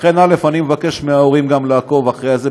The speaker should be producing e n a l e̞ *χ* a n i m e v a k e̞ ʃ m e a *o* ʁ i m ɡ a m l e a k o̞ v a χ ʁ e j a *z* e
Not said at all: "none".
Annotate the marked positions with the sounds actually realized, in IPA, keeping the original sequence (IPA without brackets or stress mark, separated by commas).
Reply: f, o, z